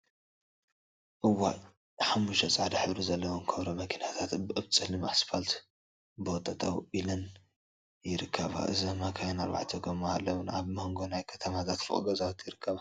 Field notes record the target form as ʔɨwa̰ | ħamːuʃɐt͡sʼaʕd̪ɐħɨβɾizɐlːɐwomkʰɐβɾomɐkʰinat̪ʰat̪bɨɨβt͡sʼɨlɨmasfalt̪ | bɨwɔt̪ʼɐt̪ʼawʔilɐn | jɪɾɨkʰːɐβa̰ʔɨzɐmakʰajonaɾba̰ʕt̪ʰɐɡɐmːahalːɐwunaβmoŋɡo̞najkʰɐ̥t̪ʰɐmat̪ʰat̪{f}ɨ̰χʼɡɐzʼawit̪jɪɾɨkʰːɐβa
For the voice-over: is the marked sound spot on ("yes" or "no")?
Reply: yes